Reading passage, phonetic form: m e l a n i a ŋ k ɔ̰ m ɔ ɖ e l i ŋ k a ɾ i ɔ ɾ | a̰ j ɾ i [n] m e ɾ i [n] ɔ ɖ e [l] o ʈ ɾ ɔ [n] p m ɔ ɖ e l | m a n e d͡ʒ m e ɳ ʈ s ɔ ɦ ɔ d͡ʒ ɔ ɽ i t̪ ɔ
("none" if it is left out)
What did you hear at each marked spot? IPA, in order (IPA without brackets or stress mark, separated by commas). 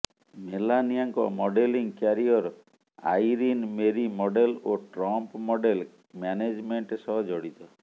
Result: n, m, l, m